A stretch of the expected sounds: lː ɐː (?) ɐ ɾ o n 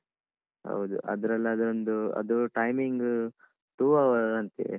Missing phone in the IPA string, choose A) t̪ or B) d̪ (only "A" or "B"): B